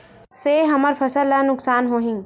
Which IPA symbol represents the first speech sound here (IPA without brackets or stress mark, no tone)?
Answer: s